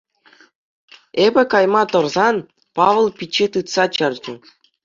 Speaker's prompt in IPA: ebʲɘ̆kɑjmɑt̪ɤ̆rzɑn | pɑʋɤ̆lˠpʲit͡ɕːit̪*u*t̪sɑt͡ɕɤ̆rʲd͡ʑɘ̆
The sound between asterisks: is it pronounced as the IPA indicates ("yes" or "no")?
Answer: no